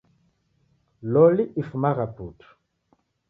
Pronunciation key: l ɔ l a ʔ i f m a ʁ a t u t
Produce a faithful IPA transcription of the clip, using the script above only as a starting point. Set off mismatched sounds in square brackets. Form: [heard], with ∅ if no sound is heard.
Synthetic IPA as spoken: l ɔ l [i] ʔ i f m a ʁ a [p] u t